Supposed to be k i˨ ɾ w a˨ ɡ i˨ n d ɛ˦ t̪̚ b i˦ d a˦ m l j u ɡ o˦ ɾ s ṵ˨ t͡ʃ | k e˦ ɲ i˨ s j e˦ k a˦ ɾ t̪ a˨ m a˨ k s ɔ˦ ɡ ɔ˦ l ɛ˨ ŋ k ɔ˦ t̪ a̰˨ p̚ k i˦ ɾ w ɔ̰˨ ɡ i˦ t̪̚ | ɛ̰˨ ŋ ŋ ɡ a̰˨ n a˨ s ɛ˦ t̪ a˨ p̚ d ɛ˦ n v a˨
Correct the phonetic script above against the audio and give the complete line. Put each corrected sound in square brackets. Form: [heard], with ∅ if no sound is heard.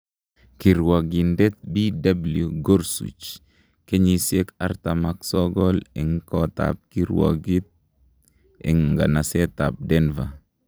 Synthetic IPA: k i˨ ɾ w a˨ ɡ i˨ n d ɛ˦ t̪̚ b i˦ d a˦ [b] l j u ɡ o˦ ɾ s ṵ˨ t͡ʃ | k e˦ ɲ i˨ s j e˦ k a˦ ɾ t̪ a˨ m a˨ k s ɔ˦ ɡ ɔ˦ l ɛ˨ ŋ k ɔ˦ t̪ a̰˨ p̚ k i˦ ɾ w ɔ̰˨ ɡ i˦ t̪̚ | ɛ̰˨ ŋ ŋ ɡ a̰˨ n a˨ s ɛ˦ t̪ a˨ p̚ d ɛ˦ n v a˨